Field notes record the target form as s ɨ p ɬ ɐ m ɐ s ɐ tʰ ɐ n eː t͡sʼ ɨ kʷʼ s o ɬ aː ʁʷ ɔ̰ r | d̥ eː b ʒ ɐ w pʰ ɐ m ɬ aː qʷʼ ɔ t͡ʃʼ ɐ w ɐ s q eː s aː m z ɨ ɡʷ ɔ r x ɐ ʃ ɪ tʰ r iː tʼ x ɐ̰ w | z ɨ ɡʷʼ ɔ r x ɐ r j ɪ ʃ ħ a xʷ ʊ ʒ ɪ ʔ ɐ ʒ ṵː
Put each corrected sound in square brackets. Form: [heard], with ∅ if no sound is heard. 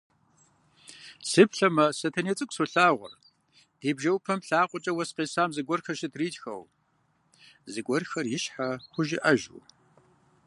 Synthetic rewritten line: s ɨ p ɬ ɐ m ɐ s ɐ tʰ ɐ n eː t͡sʼ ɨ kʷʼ s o ɬ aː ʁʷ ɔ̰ r | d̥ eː b ʒ ɐ w pʰ ɐ m ɬ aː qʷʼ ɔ t͡ʃʼ ɐ w ɐ s q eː s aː m z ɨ ɡʷ ɔ r x ɐ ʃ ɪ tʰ r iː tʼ x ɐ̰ w | z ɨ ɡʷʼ ɔ r x ɐ r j ɪ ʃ ħ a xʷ ʊ ʒ ɪ ʔ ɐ ʒ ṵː